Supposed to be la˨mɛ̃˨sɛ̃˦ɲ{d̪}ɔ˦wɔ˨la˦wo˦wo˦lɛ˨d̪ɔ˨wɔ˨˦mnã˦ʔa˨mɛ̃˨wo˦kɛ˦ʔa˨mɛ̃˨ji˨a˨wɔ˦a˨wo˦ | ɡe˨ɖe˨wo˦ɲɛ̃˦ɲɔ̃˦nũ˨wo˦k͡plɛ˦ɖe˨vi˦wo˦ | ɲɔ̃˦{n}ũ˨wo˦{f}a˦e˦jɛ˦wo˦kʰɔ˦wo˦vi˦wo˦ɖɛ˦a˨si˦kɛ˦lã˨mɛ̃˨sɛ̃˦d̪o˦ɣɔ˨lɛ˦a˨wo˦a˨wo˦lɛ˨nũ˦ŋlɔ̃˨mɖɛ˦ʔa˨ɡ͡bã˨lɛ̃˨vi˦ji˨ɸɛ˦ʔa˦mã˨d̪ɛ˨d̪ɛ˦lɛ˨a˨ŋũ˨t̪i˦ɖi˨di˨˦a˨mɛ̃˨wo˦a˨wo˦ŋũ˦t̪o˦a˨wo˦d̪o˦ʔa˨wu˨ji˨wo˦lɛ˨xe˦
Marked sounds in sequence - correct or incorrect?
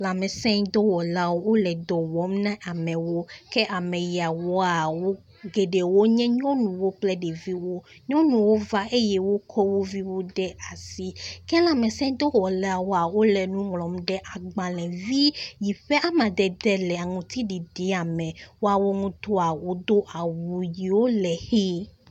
correct, correct, incorrect

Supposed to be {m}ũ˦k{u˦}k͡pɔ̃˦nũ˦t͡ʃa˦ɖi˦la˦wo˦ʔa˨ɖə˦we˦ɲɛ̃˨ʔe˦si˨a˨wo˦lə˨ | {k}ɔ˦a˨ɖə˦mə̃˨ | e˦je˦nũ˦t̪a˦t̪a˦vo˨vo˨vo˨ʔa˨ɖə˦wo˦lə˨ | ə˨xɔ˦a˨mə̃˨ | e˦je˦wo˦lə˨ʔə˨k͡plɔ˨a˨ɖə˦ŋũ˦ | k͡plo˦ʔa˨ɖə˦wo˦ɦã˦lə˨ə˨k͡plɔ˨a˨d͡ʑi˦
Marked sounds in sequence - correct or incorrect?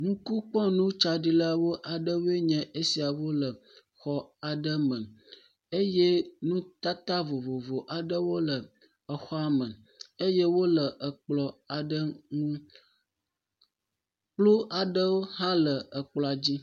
incorrect, correct, incorrect

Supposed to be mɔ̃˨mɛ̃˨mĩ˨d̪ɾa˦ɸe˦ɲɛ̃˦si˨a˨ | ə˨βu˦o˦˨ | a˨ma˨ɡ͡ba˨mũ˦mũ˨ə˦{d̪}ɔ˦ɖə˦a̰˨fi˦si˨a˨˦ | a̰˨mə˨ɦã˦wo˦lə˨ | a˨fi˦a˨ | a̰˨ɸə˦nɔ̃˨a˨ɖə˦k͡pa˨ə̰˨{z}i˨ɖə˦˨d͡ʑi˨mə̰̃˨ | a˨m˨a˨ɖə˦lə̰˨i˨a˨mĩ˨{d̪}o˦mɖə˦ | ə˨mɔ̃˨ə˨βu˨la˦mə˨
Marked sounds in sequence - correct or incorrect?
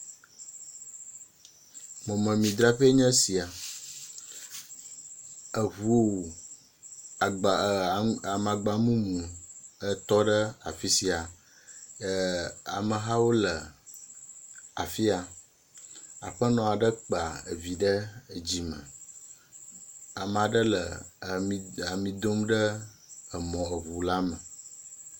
incorrect, incorrect, correct

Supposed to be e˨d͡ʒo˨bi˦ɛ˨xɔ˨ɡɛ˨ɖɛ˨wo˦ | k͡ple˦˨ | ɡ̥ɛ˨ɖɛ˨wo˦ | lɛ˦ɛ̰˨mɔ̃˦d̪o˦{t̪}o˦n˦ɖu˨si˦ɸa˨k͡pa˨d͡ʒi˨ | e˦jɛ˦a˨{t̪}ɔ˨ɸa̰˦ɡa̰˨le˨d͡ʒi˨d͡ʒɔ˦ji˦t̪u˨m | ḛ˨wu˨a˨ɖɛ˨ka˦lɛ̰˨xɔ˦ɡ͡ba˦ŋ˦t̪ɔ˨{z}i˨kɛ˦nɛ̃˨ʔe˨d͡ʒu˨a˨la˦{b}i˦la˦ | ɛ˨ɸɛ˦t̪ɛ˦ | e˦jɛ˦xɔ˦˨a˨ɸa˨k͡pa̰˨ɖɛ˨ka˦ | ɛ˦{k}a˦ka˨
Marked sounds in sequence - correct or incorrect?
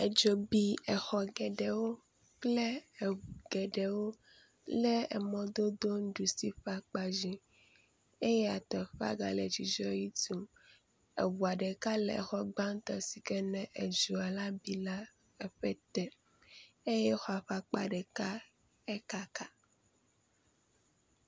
incorrect, correct, incorrect, correct, correct

